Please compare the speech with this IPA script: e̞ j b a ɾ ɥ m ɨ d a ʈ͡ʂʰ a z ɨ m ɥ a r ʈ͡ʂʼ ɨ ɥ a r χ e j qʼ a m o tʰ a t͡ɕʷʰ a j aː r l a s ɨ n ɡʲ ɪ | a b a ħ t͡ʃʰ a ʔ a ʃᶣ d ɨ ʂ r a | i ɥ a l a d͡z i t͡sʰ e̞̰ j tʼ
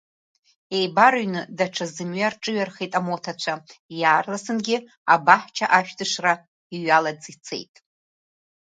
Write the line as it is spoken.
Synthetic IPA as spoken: e̞ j b a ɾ ɥ n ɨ d a ʈ͡ʂʰ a z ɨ m ɥ a r ʈ͡ʂʼ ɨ ɥ a r χ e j tʼ a m o tʰ a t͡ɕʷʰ a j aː r l a s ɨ n ɡʲ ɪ | a b a ħ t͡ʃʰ a ʔ a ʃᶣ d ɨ ʂ r a | i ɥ a l a d͡z i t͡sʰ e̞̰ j tʼ